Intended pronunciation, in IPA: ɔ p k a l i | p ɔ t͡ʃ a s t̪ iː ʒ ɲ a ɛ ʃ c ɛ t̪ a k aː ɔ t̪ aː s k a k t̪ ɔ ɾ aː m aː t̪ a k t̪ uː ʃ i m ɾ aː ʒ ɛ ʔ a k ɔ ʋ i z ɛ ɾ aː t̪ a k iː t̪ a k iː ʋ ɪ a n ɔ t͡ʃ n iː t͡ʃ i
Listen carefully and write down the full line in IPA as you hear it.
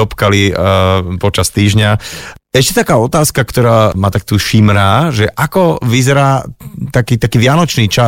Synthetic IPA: ɔ p k a l i | p ɔ t͡ʃ a s t̪ iː ʒ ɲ a ɛ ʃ c ɛ t̪ a k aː ɔ t̪ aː s k a k t̪ ɔ ɾ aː m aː t̪ a k t̪ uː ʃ i m ɾ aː ʒ ɛ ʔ a k ɔ ʋ i z ɛ ɾ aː t̪ a k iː t̪ a k iː ʋ ɪ a n ɔ t͡ʃ n iː t͡ʃ a